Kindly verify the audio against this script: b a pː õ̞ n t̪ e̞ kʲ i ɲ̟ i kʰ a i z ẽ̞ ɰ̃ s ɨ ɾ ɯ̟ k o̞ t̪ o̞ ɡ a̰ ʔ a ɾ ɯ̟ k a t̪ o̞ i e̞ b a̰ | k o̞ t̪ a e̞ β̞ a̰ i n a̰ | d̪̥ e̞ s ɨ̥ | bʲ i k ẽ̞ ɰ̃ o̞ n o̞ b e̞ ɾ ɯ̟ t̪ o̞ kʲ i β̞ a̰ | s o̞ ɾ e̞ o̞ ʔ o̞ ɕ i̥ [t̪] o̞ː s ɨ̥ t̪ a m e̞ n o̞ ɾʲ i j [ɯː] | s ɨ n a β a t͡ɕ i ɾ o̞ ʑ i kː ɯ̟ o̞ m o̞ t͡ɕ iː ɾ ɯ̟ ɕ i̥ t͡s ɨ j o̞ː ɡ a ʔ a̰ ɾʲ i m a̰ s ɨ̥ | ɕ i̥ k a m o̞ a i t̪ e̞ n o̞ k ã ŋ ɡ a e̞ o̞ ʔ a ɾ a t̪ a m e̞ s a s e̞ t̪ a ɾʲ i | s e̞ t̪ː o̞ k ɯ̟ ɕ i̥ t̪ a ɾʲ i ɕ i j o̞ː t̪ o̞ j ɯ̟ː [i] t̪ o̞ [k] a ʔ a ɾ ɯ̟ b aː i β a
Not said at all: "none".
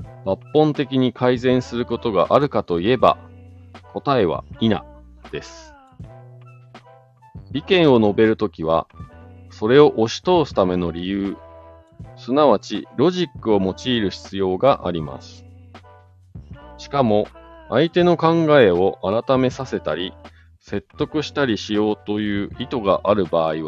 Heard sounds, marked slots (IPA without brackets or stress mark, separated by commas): t̪, ɯː, i, ɡ